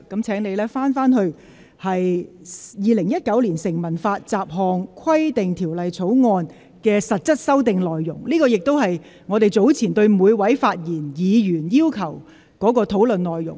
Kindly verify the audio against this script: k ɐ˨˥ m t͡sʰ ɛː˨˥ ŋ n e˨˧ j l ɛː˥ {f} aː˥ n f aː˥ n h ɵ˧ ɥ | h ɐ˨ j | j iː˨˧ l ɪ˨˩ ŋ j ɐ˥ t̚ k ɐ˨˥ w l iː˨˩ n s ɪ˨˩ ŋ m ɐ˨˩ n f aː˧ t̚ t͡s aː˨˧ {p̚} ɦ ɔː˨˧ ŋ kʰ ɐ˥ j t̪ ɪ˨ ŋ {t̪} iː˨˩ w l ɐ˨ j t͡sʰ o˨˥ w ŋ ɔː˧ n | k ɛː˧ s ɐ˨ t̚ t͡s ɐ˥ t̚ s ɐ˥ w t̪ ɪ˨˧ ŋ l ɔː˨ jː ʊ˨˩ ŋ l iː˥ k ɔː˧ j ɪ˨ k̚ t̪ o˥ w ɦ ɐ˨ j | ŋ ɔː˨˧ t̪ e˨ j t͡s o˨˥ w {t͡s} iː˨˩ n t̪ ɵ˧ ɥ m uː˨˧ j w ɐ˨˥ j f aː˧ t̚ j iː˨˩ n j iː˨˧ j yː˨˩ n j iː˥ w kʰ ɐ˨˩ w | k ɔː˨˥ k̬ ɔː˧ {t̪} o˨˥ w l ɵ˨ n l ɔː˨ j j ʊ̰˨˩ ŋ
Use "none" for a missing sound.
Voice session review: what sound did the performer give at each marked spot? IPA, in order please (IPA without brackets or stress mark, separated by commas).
f, p̚, t̪ʰ, t͡sʰ, t̪ʰ